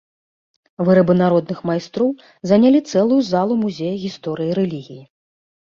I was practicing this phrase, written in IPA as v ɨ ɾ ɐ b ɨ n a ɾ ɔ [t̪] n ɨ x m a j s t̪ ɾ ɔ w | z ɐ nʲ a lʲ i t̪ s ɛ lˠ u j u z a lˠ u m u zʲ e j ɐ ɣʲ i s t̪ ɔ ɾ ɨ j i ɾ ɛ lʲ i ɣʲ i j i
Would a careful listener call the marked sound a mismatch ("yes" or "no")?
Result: yes